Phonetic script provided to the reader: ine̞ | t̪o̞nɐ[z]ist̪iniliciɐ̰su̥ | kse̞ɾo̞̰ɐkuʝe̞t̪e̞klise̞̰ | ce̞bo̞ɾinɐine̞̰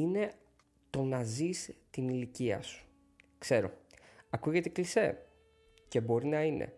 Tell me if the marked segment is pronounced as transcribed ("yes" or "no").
yes